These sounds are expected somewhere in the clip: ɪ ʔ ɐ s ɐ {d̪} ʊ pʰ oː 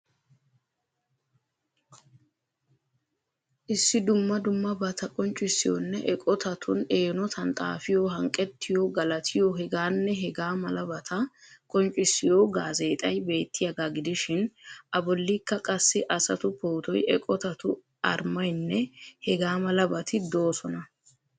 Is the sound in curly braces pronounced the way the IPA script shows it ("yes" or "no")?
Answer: no